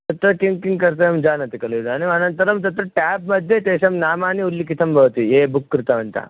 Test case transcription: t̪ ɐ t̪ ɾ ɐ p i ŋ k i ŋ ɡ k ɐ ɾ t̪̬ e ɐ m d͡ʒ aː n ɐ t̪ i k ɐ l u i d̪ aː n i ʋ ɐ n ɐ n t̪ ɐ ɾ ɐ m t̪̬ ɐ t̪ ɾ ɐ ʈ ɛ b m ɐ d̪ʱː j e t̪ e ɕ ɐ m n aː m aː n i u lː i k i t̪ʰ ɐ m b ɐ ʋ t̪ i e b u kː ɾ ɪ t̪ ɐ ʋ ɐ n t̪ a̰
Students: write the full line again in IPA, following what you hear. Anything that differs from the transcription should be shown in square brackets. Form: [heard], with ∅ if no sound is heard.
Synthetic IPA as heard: t̪ ɐ t̪ ɾ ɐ [k] i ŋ k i ŋ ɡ k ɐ ɾ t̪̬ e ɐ m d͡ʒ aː n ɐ t̪ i k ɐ l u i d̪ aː n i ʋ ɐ n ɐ n t̪ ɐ ɾ ɐ m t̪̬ ɐ t̪ ɾ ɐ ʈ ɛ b m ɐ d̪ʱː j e t̪ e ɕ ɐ m n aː m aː n i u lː i k i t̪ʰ ɐ m b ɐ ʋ t̪ i e b u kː ɾ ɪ t̪ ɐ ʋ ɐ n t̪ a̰